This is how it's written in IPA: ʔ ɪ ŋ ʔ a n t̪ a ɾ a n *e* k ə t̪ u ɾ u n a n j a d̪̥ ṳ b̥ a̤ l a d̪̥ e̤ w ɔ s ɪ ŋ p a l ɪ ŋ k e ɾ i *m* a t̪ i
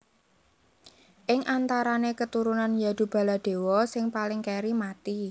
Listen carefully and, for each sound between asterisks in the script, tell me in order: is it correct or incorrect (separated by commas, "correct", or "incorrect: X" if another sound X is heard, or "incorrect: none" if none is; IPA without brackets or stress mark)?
correct, correct